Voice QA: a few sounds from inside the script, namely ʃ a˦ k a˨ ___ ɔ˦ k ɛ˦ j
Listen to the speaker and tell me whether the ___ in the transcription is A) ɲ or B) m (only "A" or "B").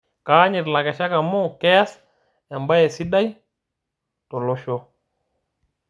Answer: B